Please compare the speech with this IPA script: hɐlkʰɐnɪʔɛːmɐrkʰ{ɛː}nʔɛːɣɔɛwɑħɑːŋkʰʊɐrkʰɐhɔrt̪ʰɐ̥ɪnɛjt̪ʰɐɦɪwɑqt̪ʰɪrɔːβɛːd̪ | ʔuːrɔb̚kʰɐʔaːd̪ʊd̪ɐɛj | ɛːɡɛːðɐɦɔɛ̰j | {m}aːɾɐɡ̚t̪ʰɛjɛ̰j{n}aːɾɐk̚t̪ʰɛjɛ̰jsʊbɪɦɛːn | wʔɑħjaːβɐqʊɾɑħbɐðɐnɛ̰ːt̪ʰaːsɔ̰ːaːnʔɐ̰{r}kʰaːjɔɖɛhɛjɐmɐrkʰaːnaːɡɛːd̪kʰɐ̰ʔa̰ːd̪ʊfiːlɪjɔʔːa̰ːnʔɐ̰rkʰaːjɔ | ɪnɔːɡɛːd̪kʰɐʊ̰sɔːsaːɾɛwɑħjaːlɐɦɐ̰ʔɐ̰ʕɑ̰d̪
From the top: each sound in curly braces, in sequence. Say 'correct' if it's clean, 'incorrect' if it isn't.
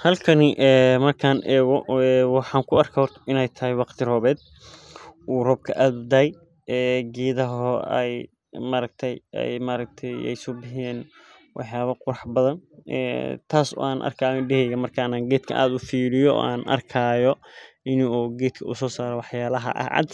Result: incorrect: aː, correct, incorrect: m, correct

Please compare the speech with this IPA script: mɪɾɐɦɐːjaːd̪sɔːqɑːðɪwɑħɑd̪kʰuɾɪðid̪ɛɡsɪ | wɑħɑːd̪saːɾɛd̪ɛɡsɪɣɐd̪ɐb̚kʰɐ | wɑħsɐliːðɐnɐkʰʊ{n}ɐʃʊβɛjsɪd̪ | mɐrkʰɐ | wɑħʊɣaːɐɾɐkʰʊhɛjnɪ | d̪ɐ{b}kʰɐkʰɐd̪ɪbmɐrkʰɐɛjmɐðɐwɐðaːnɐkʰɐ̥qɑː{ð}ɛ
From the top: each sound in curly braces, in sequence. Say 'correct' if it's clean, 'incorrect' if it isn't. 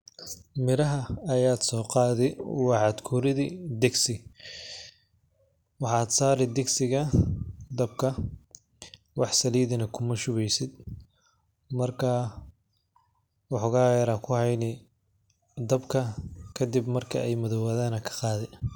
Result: incorrect: m, correct, correct

